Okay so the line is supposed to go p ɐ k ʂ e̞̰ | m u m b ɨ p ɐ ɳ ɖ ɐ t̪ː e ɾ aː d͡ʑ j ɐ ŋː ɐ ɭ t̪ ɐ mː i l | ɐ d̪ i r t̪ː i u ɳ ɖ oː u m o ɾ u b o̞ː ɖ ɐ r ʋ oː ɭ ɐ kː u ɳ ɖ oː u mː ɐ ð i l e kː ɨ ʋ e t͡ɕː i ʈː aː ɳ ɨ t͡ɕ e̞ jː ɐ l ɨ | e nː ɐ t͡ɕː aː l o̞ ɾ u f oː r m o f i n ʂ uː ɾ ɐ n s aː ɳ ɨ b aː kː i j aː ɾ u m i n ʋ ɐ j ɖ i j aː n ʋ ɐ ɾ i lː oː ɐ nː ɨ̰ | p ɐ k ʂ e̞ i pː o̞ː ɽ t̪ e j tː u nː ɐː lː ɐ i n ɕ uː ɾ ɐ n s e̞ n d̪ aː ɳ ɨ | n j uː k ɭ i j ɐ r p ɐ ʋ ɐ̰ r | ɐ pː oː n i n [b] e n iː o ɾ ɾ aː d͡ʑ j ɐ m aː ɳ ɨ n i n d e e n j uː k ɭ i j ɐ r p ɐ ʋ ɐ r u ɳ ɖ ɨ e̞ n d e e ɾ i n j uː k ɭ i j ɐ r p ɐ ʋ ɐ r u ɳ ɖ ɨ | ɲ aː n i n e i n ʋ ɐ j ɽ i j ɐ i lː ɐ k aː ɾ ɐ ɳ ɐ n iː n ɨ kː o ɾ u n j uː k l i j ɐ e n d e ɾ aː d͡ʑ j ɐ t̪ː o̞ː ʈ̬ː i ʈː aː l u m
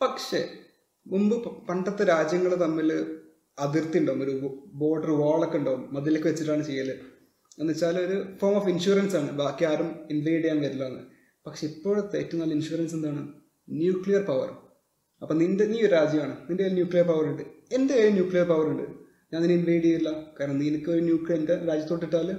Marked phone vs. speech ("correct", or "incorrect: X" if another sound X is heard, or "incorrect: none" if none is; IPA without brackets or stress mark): incorrect: d